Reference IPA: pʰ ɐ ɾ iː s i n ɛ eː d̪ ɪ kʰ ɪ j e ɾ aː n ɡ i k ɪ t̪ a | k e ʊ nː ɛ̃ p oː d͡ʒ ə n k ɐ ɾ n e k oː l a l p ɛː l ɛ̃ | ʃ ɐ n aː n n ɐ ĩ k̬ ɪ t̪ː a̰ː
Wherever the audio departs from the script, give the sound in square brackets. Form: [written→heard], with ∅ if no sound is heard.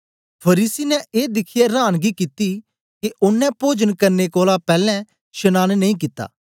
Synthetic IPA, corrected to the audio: pʰ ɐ ɾ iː s i n ɛ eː d̪ ɪ kʰ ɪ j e ɾ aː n ɡ i k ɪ t̪ [a→i] | k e ʊ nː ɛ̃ p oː d͡ʒ ə n k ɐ ɾ n e k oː l a [l→∅] p ɛː l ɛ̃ | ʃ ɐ n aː n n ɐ ĩ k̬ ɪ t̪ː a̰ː